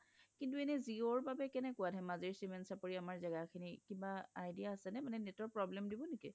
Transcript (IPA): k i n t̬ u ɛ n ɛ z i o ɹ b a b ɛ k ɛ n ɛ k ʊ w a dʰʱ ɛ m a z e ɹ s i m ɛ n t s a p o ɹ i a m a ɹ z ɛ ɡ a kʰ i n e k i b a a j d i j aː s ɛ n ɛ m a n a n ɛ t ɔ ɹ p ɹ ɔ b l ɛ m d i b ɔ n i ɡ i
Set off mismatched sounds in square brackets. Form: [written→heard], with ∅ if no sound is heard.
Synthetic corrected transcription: k i n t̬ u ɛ n ɛ z i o ɹ b a b ɛ k ɛ n ɛ k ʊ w a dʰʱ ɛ m a z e ɹ s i m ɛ n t s a p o ɹ i a m a ɹ z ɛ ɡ a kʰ i n [e→i] k i b a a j d i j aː s ɛ n ɛ m a n [a→ɛ] n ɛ t ɔ ɹ p ɹ ɔ b l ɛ m d i b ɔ n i [ɡ→k] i